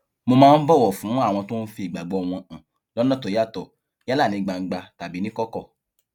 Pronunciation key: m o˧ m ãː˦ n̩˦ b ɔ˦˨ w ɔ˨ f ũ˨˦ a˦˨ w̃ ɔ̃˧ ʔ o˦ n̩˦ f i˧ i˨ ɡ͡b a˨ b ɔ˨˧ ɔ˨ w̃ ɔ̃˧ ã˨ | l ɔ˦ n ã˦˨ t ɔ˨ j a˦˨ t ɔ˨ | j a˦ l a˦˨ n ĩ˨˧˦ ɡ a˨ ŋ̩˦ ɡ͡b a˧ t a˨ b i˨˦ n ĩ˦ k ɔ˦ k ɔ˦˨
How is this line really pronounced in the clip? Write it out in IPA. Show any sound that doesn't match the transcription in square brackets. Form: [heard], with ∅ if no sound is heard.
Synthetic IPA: m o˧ m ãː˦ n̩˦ b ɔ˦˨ w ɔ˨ f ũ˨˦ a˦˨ w̃ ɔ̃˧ [t] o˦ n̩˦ f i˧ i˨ ɡ͡b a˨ [ɡ͡b] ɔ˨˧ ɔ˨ w̃ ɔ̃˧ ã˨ | l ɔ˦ n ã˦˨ t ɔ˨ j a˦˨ t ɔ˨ | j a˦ l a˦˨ n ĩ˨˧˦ [ɡ͡b] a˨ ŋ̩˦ ɡ͡b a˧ t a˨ b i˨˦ n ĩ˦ k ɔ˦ k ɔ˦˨